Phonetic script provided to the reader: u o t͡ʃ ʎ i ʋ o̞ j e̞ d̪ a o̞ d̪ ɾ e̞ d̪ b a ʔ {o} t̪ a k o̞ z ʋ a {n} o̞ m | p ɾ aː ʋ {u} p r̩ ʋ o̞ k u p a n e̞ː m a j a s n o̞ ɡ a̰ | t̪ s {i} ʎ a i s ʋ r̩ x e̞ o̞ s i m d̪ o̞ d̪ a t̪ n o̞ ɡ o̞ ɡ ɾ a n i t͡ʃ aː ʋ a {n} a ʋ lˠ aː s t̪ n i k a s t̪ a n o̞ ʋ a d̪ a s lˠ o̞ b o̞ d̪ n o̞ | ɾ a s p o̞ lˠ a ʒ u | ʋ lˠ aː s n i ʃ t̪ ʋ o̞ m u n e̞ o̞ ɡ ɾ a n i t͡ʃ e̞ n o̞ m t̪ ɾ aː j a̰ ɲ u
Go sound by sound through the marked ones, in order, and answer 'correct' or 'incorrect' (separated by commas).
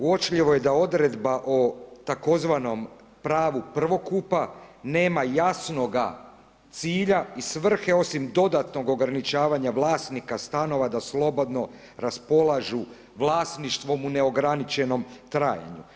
correct, correct, correct, incorrect, incorrect